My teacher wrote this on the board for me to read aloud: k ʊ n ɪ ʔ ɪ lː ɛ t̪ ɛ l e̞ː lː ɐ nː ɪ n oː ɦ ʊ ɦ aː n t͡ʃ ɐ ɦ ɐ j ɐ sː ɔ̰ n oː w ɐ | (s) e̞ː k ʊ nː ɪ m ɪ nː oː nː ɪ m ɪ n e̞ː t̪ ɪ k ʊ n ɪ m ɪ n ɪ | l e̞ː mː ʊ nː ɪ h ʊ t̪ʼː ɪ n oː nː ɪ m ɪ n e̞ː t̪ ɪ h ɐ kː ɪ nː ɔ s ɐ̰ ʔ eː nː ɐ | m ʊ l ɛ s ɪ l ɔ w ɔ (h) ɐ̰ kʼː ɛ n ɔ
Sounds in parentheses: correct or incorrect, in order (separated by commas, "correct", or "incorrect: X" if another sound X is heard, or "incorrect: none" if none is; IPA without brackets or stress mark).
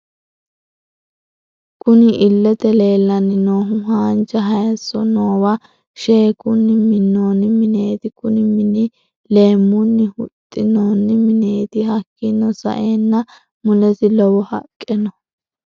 incorrect: ʃ, correct